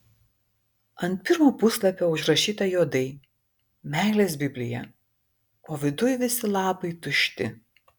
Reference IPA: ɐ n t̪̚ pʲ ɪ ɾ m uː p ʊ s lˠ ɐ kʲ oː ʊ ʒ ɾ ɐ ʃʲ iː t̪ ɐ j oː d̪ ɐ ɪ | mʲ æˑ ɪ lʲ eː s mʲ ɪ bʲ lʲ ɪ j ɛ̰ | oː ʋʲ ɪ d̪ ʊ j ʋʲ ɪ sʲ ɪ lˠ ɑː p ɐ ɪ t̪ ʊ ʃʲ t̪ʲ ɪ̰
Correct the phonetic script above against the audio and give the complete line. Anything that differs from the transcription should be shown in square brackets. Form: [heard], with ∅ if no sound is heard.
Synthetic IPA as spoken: ɐ n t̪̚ pʲ ɪ ɾ m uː p ʊ s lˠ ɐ [pʲ] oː ʊ ʒ ɾ ɐ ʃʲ iː t̪ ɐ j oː d̪ ɐ ɪ | mʲ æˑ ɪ lʲ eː s [bʲ] ɪ bʲ lʲ ɪ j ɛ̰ | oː ʋʲ ɪ d̪ ʊ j ʋʲ ɪ sʲ ɪ lˠ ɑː p ɐ ɪ t̪ ʊ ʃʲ t̪ʲ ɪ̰